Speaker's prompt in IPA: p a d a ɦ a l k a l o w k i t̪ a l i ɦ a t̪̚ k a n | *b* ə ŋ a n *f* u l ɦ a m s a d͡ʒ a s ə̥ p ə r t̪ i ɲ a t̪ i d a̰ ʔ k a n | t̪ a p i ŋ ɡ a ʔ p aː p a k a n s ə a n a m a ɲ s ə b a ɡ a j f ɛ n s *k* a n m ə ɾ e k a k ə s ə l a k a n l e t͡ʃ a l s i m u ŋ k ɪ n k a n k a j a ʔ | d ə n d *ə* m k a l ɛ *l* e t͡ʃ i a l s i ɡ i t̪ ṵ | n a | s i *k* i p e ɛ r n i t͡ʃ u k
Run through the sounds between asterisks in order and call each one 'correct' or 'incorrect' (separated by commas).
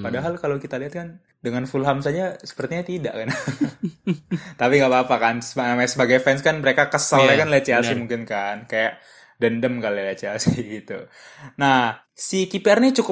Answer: incorrect, correct, correct, correct, correct, correct